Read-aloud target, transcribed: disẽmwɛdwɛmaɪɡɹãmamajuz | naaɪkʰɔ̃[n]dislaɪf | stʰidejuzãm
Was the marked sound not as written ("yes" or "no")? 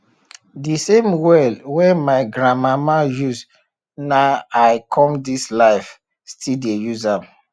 yes